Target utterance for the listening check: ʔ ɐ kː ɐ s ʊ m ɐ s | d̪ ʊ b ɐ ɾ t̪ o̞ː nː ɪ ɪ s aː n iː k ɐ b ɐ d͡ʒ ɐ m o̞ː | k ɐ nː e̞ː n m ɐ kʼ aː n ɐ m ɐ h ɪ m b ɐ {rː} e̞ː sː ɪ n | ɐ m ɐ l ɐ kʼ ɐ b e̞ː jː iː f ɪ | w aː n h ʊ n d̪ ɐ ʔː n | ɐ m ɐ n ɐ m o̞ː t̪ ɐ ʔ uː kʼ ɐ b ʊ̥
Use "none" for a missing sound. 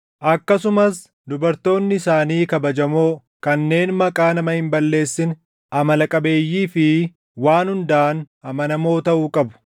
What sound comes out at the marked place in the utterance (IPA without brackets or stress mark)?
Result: lː